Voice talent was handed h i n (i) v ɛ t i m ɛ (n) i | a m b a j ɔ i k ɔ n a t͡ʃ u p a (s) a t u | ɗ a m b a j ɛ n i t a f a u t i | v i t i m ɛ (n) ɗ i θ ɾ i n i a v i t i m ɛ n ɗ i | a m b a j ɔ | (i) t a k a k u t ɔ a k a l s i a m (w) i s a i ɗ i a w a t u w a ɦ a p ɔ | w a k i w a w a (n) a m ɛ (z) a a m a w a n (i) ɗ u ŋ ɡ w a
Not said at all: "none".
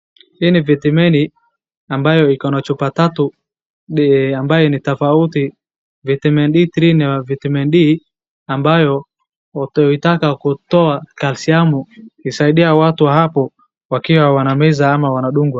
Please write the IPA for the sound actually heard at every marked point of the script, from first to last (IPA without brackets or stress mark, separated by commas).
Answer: i, n, t, n, i, u, n, z, a